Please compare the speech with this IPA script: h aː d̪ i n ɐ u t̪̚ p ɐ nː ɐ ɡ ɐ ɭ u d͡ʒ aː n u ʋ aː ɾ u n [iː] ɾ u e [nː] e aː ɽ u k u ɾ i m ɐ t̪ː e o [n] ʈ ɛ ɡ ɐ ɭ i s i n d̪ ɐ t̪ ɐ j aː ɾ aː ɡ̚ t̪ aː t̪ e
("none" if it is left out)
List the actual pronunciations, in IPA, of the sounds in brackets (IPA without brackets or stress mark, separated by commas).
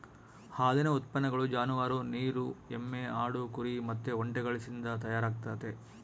iː, mː, ɳ